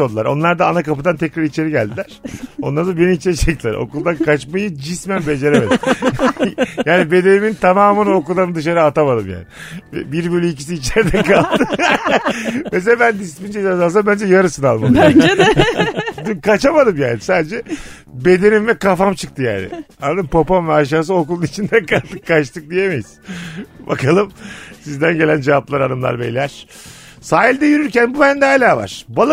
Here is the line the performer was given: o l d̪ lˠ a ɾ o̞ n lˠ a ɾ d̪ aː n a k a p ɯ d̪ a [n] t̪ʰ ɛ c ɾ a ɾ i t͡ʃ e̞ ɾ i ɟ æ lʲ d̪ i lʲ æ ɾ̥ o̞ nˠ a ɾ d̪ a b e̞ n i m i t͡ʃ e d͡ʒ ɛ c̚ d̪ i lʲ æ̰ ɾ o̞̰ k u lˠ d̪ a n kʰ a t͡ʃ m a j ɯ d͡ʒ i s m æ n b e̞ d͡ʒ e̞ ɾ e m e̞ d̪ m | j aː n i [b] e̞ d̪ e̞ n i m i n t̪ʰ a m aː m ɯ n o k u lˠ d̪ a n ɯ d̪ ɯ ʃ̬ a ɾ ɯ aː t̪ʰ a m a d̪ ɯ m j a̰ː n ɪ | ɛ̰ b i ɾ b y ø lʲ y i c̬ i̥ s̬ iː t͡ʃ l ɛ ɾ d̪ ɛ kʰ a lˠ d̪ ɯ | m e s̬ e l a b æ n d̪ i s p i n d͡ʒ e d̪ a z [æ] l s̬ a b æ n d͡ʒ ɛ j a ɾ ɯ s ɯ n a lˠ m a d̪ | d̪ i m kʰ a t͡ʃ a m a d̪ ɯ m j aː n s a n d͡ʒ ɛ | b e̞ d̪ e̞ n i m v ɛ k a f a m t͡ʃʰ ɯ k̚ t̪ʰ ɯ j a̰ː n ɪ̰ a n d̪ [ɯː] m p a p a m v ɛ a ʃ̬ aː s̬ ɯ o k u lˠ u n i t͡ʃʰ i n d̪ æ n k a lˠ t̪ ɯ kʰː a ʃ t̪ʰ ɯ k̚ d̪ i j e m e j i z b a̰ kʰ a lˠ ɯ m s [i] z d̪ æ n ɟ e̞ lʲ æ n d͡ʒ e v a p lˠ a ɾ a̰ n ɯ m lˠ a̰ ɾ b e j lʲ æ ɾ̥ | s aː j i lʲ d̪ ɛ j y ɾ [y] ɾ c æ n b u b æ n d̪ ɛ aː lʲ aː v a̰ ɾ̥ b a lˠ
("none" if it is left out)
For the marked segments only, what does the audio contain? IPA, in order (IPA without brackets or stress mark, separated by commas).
n, b, a, ɯ, i, y